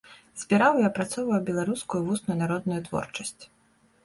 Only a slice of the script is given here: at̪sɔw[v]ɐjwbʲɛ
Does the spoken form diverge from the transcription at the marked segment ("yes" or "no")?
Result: no